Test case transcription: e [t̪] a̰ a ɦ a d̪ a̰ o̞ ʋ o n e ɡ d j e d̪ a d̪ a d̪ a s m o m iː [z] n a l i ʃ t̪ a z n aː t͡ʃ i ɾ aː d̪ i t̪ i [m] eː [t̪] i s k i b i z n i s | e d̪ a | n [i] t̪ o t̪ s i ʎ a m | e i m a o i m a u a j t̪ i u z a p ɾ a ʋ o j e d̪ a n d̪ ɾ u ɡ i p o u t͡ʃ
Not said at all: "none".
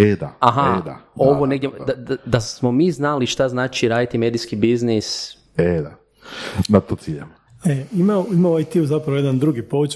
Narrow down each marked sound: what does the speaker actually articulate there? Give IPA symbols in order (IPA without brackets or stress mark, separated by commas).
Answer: d̪, z, m, d̪, a